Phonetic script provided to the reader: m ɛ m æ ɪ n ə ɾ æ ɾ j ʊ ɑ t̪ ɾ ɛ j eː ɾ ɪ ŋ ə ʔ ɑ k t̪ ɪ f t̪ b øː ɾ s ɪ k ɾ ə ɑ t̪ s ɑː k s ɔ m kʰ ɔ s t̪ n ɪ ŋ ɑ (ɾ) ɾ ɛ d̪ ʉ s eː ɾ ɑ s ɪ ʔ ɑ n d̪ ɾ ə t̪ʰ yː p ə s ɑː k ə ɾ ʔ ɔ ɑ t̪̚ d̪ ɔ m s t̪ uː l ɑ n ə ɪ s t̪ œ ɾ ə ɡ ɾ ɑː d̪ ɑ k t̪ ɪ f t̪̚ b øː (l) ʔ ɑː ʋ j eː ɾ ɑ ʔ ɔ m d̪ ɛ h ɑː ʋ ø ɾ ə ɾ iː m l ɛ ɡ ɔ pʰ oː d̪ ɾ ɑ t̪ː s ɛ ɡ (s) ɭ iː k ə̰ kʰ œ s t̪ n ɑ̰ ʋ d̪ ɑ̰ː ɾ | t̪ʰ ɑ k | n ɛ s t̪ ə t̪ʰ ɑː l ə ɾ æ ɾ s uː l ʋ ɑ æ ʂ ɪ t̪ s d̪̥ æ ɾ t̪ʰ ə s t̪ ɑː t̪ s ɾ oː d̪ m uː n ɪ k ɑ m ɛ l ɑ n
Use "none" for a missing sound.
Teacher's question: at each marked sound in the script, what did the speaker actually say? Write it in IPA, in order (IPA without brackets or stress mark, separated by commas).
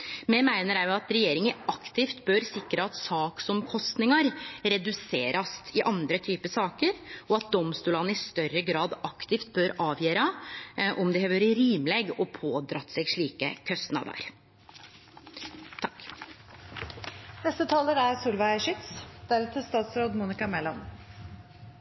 ɾ, ɾ, ʂ